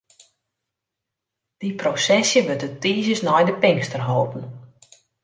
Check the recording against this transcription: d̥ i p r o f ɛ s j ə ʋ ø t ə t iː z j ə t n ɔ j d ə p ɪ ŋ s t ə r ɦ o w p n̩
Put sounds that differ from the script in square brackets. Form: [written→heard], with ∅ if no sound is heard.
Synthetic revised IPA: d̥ i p r o [f→s] ɛ s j ə ʋ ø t ə t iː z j ə [t→s] n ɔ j d ə p ɪ ŋ s t ə r ɦ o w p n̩